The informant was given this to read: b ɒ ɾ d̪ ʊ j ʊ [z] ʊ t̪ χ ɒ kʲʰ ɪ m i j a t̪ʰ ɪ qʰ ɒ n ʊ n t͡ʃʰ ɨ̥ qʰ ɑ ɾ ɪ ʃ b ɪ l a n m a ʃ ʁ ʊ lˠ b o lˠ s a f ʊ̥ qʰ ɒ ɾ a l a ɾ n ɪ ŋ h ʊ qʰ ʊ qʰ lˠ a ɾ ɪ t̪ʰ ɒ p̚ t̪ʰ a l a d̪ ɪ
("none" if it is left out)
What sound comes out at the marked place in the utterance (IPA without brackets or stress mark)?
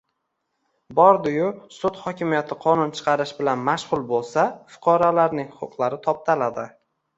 s